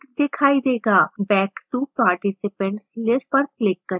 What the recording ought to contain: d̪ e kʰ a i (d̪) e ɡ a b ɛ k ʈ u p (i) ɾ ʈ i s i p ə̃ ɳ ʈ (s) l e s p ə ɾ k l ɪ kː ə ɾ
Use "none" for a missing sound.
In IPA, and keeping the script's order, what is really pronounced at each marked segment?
d̪, a, s

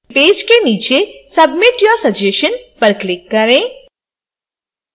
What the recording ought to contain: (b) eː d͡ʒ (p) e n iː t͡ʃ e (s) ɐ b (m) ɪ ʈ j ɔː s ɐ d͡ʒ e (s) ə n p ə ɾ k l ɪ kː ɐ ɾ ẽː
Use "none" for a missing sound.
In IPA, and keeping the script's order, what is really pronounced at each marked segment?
p, k, s, m, ʃ

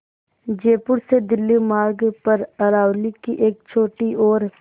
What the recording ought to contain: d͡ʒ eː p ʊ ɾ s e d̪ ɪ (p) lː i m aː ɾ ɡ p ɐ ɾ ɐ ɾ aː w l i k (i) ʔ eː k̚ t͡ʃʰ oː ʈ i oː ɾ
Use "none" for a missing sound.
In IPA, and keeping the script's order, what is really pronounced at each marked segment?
none, i

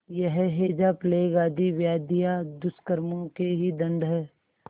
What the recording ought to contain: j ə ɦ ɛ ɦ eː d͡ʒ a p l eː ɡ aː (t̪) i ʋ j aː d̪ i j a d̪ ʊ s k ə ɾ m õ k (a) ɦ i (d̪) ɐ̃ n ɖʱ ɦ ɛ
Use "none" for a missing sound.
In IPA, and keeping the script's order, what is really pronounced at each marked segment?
d̪, e, d̪

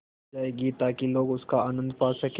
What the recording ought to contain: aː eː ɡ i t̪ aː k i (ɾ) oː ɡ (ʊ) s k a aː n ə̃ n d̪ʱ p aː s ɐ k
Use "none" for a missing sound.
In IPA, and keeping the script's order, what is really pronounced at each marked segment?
l, ʊ

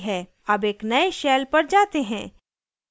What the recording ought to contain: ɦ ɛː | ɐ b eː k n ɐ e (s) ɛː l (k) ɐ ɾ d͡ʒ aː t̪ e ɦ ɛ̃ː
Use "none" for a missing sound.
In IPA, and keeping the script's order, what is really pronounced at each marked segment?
ʃ, p

